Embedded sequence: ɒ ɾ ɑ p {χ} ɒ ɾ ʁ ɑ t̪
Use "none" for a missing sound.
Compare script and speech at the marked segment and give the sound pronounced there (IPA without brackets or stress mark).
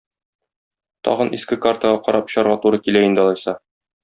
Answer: ɕ